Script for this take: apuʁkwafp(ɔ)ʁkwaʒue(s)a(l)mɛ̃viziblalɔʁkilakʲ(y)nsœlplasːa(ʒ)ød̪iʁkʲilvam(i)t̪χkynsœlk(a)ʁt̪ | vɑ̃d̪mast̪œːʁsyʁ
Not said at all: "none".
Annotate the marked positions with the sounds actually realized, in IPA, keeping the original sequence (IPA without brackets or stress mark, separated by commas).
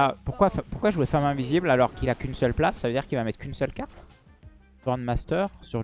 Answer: u, f, none, y, v, ɛ, a